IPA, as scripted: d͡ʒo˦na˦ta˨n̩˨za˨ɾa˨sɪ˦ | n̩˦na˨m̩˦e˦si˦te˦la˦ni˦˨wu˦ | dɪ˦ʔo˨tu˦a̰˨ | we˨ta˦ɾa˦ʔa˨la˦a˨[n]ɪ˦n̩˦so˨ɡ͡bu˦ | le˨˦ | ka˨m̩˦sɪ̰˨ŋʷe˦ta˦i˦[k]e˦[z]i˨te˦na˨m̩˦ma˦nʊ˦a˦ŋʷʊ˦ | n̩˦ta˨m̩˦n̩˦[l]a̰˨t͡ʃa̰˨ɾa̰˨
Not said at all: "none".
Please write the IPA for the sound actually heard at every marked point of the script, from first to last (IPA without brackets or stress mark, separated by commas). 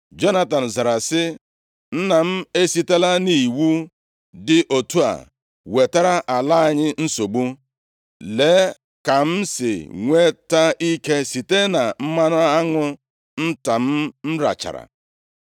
ɲ, k, s, ɾ